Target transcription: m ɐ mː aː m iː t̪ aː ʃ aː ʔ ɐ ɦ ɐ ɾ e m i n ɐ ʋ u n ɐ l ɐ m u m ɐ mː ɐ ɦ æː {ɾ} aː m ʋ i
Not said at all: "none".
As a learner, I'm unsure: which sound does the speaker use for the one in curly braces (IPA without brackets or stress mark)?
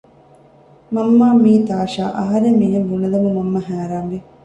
ɾ